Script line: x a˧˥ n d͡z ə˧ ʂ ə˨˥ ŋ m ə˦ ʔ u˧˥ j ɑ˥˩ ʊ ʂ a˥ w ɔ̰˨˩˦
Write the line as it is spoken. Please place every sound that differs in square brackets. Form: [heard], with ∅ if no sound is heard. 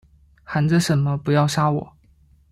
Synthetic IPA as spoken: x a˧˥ n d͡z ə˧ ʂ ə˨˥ [n] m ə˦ [p] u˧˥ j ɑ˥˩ ʊ ʂ a˥ w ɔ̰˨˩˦